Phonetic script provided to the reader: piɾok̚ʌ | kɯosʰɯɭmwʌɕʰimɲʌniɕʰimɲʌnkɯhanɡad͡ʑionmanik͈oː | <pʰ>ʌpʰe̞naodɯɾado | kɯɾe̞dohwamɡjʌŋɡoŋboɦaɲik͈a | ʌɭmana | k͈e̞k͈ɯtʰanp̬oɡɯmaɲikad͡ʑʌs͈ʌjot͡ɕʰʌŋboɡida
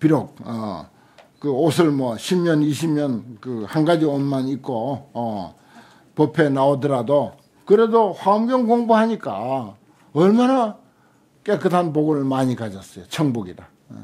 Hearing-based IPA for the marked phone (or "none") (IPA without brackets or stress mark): p